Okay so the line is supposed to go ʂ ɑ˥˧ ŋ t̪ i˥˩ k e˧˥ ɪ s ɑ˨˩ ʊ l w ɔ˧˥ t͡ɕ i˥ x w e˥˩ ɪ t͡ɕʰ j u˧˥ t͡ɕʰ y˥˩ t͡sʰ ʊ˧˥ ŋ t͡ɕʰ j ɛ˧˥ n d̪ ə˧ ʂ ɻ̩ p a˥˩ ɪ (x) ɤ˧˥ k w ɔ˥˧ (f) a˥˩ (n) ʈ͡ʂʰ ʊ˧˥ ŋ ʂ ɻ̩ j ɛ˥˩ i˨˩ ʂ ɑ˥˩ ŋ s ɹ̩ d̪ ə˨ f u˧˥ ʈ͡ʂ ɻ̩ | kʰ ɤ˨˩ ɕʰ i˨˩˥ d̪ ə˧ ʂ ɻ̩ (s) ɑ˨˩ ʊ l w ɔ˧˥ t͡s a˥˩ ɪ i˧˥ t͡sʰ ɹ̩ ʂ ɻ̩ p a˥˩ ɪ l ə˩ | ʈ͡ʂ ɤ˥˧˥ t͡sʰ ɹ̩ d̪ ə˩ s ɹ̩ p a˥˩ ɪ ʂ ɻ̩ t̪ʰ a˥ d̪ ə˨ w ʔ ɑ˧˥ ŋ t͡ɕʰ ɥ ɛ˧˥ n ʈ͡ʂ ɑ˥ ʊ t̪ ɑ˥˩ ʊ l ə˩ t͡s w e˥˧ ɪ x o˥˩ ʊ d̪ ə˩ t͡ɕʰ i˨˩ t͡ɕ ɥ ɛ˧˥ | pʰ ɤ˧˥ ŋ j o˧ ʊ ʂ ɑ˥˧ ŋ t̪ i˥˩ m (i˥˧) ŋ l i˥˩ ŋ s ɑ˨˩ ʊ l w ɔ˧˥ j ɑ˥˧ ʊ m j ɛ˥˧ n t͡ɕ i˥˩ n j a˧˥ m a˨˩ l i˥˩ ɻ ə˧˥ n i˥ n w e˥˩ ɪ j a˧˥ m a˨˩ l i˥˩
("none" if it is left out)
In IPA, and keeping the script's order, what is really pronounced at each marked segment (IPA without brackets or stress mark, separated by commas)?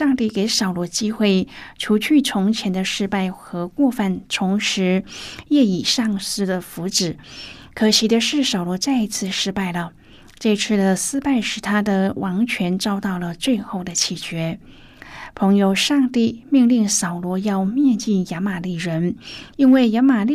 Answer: x, f, n, s, i˥˧